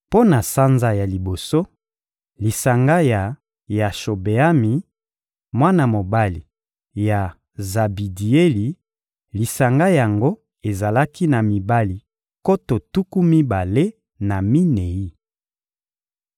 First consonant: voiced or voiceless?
voiceless